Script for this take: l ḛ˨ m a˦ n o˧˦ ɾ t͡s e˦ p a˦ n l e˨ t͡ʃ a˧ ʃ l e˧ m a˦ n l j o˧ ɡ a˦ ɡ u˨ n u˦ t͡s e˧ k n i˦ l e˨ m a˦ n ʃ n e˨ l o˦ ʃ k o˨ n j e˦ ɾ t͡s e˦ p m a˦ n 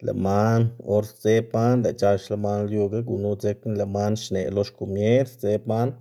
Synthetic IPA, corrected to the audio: l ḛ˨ m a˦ n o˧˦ ɾ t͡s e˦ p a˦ n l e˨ t͡ʃ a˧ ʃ l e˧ m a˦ n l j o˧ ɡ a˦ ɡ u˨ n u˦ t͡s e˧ k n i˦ l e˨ m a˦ n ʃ n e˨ l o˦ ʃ k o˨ m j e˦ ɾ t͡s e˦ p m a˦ n